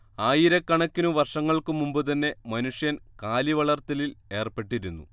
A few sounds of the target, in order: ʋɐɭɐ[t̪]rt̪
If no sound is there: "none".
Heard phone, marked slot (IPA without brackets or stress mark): none